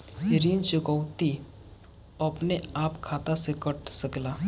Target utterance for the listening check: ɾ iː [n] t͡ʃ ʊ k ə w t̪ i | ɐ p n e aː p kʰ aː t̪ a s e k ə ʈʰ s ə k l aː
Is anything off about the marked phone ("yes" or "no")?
no